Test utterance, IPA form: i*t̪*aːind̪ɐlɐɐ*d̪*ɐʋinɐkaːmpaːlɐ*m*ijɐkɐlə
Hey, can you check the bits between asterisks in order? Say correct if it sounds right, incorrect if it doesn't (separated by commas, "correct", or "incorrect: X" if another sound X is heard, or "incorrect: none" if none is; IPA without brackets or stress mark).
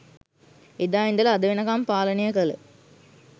incorrect: d̪, correct, incorrect: n